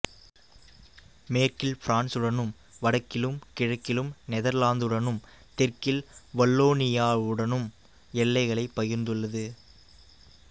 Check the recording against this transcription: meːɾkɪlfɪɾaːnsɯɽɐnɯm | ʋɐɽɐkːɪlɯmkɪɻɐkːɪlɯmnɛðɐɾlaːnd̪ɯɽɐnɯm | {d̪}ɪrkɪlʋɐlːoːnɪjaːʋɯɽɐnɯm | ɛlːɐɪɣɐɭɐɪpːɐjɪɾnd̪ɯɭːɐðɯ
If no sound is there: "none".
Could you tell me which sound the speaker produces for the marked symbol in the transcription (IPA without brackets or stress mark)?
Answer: t̪